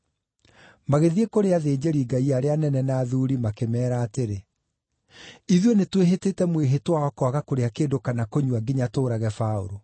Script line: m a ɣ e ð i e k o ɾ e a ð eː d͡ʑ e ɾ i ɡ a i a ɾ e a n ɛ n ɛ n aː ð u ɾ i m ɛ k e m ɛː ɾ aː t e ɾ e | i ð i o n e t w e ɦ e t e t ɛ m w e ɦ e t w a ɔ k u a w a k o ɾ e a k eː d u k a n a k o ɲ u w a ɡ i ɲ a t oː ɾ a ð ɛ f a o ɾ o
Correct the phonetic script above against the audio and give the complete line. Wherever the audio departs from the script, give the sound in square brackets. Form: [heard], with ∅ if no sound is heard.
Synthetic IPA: m a ɣ e ð i e k o ɾ e a ð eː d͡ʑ e ɾ i ɡ a i a ɾ e a n ɛ n ɛ n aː ð u ɾ i m [a] k e m ɛː ɾ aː t e ɾ e | i ð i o n e t w e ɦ e t e t ɛ m w e ɦ e t w a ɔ k [ɔ] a [ɣ] a k o ɾ e a k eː d [o] k a n a k o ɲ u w a ɡ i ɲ a t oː ɾ a [ɣ] ɛ f a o ɾ o